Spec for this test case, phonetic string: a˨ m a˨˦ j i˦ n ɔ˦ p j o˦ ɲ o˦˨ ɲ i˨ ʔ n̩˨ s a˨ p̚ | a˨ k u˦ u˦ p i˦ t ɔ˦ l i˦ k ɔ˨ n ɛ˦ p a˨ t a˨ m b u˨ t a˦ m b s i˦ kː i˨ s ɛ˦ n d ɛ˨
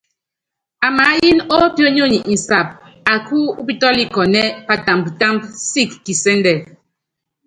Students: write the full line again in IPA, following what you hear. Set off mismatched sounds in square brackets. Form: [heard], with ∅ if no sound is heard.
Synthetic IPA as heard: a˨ m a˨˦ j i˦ n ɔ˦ p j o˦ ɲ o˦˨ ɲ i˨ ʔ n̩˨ s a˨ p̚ | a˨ k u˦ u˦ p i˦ t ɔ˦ l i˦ k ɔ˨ n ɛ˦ p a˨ t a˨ m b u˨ t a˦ m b s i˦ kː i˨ s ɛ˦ n d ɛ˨